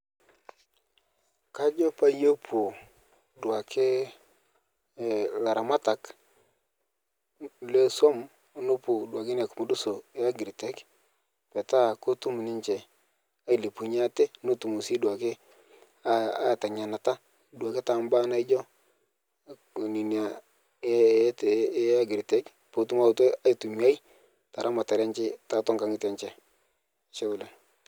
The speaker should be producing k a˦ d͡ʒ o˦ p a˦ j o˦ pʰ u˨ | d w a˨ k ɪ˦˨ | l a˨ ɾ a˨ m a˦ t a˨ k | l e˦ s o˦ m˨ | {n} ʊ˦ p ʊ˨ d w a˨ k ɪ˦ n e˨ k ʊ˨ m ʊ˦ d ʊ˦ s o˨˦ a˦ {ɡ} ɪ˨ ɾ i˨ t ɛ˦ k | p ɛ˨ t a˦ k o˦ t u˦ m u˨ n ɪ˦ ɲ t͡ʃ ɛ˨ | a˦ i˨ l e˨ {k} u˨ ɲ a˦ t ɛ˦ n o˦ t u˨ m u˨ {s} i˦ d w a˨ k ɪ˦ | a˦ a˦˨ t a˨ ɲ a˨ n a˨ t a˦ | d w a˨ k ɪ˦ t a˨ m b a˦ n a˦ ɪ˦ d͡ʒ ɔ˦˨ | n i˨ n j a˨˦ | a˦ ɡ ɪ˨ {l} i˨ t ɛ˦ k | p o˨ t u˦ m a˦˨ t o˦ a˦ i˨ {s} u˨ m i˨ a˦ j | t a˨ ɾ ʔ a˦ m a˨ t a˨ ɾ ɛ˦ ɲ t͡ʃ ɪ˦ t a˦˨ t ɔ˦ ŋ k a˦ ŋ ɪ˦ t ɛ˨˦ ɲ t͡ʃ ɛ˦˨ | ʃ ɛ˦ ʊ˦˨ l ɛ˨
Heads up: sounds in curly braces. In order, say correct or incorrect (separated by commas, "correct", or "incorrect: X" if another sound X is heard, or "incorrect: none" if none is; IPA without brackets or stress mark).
correct, correct, incorrect: p, correct, incorrect: ɾ, incorrect: t